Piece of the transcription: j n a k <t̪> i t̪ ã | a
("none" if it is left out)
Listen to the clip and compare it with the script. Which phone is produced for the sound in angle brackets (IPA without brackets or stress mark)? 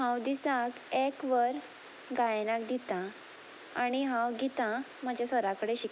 d̪